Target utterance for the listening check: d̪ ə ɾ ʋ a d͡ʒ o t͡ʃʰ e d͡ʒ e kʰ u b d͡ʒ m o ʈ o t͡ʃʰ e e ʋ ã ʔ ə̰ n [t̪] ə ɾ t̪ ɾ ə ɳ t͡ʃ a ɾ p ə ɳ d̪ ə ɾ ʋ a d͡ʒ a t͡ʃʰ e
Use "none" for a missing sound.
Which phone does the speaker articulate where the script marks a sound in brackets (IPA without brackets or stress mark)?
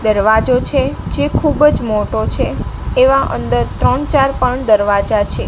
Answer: d̪